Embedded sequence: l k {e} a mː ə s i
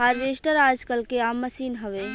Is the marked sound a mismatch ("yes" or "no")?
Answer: no